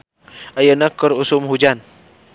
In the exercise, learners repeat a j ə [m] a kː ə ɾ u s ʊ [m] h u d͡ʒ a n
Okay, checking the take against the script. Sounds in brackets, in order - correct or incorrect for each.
incorrect: n, correct

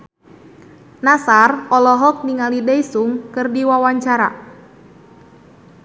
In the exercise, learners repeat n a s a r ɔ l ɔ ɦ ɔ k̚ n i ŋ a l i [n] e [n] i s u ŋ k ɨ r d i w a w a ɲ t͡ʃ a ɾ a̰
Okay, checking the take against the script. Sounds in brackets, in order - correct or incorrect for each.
incorrect: d, incorrect: none

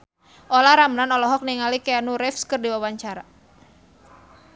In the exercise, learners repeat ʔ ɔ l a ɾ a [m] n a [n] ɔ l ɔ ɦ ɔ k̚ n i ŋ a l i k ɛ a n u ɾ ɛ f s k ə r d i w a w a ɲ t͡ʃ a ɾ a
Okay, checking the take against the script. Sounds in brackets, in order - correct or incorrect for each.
correct, correct

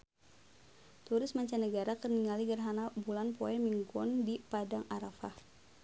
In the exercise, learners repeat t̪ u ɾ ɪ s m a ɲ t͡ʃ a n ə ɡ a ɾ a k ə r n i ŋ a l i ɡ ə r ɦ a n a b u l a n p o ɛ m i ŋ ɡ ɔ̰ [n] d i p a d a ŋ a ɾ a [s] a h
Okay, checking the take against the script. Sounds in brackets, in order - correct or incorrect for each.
correct, incorrect: f

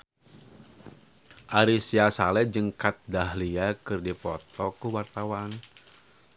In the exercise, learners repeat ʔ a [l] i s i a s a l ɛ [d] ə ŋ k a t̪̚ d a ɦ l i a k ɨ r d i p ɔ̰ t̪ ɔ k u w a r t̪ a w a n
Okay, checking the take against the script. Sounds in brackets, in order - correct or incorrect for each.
incorrect: ɾ, incorrect: d͡ʒ

